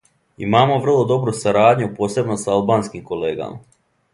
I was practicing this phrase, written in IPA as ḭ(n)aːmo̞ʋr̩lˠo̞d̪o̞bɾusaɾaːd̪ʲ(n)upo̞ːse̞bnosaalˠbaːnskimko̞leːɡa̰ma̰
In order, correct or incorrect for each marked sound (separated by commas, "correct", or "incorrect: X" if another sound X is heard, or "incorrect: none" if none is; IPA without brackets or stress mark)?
incorrect: m, incorrect: ɲ